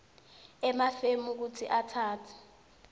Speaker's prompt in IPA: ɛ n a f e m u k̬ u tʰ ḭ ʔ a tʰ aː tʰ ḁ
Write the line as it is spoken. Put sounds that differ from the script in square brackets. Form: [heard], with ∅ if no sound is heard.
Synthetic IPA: ɛ [m] a f e m u k̬ u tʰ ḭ ʔ a tʰ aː tʰ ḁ